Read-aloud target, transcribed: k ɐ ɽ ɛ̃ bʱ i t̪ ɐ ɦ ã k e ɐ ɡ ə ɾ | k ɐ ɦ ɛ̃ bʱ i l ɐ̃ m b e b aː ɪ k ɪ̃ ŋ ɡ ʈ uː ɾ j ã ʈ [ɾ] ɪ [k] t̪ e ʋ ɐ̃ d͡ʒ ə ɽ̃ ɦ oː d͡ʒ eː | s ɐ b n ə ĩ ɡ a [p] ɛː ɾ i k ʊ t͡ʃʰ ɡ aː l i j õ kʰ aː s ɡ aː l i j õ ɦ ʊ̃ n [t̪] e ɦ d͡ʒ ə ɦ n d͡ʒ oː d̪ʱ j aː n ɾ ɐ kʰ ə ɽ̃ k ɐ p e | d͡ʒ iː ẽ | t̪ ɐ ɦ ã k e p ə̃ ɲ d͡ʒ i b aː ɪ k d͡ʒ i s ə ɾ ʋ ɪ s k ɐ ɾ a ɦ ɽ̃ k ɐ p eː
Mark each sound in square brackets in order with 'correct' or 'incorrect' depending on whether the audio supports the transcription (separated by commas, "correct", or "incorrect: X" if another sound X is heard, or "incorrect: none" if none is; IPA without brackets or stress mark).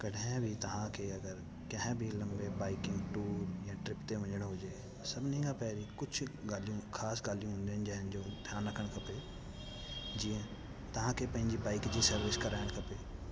correct, incorrect: p, correct, incorrect: d̪